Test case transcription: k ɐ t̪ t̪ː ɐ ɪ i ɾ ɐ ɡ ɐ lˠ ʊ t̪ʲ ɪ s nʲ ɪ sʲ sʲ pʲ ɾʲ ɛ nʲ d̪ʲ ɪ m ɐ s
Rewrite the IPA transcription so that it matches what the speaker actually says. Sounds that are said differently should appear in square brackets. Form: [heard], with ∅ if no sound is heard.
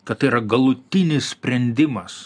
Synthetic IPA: k ɐ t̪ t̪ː ɐ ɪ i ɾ ɐ ɡ ɐ lˠ ʊ t̪ʲ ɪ [∅] nʲ ɪ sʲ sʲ pʲ ɾʲ ɛ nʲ d̪ʲ ɪ m ɐ s